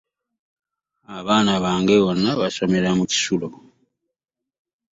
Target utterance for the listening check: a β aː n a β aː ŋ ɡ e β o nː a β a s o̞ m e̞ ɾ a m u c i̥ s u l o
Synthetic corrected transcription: a β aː n a β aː ŋ ɡ e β o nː a β a s o̞ m e̞ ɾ a m u c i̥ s u l o